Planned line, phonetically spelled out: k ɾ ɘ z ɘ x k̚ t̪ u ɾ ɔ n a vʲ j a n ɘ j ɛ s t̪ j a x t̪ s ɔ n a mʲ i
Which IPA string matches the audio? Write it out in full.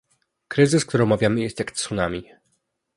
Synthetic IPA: k ɾ ɘ z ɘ s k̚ t̪ u ɾ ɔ m a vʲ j a m ɘ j ɛ s t̪ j a k t̪ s u n a mʲ i